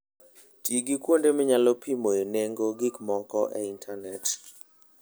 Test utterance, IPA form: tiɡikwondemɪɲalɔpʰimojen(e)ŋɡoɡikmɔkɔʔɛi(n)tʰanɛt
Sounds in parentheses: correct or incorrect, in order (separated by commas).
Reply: correct, correct